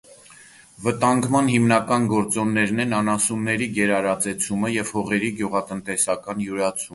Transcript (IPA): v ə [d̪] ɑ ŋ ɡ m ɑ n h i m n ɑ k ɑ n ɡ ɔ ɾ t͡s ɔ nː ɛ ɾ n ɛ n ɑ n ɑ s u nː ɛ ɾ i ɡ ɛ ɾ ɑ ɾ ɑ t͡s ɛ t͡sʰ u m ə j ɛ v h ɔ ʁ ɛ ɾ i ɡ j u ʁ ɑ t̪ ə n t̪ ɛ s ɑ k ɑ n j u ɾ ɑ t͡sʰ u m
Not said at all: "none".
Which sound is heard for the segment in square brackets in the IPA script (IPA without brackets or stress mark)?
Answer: t̪